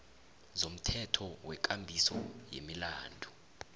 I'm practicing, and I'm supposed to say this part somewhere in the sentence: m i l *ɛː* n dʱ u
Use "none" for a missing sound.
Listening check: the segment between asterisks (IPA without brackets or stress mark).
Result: aː